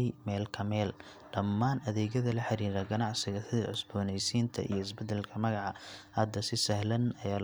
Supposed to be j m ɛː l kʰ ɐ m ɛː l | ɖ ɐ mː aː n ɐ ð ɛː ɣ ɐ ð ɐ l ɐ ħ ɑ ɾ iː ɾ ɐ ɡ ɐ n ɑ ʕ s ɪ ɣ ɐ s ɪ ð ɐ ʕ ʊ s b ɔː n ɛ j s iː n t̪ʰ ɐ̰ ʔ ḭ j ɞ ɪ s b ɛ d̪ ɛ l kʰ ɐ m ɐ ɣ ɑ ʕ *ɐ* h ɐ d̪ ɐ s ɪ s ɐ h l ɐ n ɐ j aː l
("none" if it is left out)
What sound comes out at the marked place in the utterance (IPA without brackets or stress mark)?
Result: ɑ